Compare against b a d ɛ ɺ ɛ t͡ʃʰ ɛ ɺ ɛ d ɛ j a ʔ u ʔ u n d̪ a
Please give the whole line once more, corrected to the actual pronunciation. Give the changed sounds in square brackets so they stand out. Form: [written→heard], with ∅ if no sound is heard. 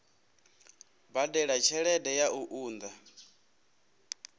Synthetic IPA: b a d ɛ ɺ [ɛ→a] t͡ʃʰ ɛ ɺ ɛ d ɛ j a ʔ u ʔ [u→uː] n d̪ a